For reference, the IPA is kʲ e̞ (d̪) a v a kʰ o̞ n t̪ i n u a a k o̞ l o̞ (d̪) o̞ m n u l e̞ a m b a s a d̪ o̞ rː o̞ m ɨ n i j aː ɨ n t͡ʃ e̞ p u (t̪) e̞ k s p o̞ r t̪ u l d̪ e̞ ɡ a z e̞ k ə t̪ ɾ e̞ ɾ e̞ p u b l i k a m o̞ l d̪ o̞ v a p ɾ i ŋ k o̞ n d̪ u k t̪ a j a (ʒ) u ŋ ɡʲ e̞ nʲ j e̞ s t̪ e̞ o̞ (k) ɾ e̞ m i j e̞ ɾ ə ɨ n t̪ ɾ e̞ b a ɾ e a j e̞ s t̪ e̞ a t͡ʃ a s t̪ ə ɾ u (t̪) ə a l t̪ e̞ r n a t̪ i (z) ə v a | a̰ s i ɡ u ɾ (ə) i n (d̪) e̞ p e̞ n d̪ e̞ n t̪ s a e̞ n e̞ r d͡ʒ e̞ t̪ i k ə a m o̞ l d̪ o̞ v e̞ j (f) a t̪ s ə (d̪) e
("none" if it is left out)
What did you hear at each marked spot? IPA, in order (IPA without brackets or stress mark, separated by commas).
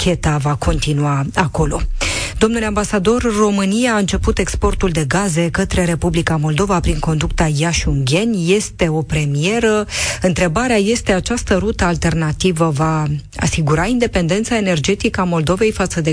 t̪, d̪, t̪, ʃ, p, t̪, v, a, d̪, f, d̪